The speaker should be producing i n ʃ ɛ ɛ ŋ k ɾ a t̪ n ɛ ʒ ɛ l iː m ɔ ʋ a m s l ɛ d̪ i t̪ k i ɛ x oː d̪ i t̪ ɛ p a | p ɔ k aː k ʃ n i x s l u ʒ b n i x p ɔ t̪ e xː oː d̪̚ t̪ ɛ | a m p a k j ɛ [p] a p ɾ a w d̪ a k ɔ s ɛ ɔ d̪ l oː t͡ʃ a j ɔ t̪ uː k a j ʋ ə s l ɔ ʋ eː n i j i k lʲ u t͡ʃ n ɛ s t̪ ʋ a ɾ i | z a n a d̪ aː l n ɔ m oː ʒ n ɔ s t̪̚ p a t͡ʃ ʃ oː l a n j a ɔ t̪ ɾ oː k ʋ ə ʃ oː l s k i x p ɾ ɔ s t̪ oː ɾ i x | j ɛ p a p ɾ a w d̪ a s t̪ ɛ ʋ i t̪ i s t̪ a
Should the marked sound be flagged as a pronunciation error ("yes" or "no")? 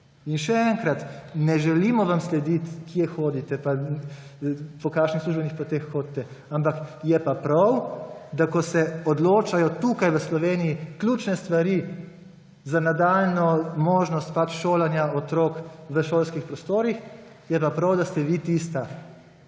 no